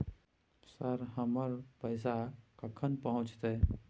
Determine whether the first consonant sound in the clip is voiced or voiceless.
voiceless